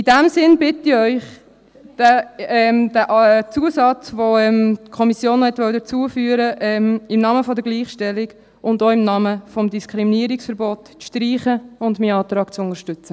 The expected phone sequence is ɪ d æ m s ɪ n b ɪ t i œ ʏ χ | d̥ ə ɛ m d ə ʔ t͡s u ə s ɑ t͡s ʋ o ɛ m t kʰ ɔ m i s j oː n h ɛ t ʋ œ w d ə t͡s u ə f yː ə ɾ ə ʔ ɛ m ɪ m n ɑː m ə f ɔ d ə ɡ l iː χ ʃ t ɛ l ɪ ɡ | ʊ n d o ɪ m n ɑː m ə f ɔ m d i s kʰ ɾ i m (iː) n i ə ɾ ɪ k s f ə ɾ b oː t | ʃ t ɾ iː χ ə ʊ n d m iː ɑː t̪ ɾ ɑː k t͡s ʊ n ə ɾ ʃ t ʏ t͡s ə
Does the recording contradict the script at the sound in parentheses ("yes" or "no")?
yes